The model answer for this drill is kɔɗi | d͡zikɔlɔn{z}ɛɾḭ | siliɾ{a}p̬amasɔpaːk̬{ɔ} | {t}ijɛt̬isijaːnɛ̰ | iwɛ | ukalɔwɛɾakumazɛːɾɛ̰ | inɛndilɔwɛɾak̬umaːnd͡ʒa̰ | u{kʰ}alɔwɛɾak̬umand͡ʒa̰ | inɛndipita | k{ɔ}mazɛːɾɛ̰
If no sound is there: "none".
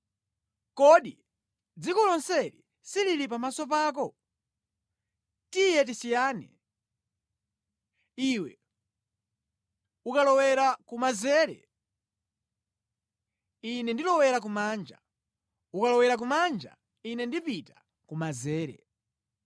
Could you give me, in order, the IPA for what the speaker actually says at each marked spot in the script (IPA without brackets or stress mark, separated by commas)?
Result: s, i, ɔ, t, k, u